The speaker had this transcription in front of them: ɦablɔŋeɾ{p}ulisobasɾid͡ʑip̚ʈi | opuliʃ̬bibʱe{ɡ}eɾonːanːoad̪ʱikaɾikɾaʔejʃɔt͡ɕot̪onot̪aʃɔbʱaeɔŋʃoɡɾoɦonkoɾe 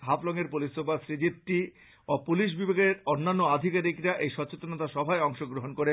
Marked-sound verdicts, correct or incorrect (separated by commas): correct, correct